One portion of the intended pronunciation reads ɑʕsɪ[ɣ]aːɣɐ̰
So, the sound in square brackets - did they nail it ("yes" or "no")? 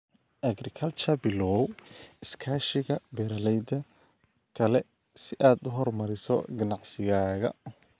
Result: yes